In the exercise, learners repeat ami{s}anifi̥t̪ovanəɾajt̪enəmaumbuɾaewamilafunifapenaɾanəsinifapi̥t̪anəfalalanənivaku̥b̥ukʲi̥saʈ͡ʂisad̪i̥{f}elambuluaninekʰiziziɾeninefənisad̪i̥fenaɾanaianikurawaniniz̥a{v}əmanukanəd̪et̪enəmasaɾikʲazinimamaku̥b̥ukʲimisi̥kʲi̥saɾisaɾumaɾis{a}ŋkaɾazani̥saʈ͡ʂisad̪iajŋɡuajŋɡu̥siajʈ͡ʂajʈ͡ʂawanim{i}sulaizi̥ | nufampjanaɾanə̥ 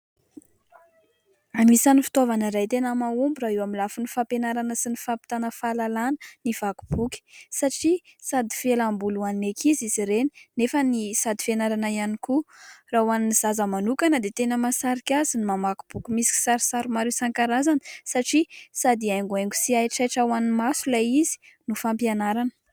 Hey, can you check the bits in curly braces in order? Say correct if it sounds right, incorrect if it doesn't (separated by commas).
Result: correct, correct, incorrect, correct, incorrect